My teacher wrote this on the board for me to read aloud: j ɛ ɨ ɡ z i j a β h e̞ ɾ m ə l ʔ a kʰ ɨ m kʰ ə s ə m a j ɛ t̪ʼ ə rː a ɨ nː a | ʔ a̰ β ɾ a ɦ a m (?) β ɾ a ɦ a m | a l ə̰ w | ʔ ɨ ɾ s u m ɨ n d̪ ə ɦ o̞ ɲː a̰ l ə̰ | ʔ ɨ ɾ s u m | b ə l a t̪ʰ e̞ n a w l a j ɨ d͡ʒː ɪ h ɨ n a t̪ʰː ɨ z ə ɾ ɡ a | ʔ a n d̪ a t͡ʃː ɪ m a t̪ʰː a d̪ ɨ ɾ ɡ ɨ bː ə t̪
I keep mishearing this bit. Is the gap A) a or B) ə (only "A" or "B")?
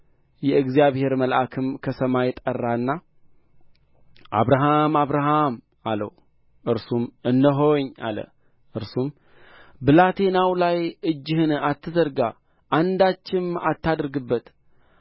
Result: A